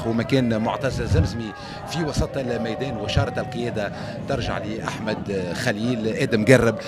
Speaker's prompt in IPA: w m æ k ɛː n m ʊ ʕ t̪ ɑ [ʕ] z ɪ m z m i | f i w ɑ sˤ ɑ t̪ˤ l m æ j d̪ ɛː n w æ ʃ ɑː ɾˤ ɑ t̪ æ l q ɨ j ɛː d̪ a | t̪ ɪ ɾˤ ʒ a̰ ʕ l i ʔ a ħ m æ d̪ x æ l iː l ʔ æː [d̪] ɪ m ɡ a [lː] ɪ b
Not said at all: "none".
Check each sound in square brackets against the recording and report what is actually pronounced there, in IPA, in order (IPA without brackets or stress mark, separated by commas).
z, d̪, rː